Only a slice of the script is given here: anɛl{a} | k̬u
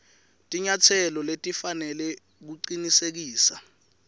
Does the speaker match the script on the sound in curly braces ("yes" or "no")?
no